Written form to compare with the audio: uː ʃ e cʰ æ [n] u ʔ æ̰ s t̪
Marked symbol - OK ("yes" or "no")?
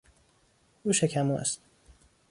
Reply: no